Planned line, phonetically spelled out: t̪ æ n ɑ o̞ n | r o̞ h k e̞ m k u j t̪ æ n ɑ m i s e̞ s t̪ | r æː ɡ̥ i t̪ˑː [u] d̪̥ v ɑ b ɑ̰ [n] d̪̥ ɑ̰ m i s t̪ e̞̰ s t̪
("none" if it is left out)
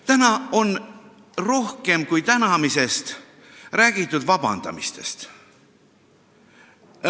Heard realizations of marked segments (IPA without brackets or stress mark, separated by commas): u, n